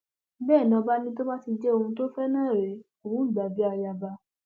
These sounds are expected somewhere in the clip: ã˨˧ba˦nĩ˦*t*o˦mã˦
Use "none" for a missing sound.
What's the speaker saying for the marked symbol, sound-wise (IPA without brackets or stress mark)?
t